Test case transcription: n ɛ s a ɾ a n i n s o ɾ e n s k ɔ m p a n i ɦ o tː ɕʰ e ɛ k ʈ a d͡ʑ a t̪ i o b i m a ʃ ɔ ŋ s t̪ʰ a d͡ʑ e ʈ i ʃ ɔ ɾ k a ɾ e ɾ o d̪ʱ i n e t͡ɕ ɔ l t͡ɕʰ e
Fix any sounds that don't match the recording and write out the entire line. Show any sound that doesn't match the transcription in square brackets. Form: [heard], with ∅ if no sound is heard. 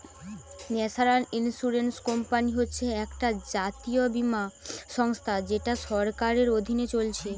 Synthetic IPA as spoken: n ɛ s a ɾ a n i n s [u] ɾ e n s k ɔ m p a n i ɦ o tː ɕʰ e ɛ k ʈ a d͡ʑ a t̪ i o b i m a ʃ ɔ ŋ s t̪ʰ a d͡ʑ e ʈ [a] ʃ ɔ ɾ k a ɾ e ɾ o d̪ʱ i n e t͡ɕ [o] l t͡ɕʰ e